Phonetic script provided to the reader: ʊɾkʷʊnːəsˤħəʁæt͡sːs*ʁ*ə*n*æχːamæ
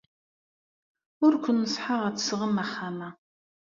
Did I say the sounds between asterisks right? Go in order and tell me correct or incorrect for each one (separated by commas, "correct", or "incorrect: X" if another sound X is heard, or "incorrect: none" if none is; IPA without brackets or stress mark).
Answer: correct, incorrect: m